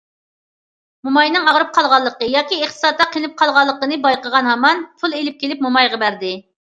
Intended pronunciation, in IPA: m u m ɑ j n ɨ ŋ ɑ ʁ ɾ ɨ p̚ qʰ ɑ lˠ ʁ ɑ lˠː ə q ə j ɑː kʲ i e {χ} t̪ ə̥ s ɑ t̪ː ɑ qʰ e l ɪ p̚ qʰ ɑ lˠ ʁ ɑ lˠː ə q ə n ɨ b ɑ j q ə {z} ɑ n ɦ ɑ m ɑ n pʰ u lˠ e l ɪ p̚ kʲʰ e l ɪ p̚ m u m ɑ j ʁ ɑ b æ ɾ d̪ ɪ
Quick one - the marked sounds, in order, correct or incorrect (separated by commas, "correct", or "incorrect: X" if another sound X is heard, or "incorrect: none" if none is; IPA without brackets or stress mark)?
correct, incorrect: ʁ